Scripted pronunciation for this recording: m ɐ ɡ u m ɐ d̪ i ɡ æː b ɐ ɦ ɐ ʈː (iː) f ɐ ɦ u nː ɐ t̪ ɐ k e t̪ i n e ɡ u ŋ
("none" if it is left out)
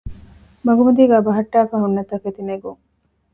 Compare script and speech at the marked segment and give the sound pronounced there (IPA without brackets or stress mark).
aː